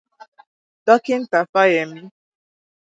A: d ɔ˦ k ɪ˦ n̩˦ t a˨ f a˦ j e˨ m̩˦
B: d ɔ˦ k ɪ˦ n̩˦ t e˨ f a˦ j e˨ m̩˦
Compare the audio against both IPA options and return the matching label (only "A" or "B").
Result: A